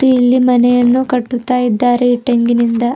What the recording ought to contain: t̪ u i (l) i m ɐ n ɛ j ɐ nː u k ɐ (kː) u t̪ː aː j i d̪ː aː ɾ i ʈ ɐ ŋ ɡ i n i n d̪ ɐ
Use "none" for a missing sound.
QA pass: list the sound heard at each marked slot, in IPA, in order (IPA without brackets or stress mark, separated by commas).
lː, ʈː